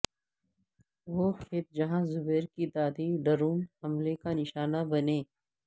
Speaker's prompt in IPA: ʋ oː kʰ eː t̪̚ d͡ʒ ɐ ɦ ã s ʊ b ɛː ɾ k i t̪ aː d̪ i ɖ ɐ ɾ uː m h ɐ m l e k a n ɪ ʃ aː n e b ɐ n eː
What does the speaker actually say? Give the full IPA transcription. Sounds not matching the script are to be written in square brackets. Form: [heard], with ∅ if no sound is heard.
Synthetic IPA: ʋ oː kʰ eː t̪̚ d͡ʒ ɐ ɦ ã [z] ʊ b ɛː ɾ k i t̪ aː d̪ i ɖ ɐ ɾ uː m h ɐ m l e k a n ɪ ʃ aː n [a] b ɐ n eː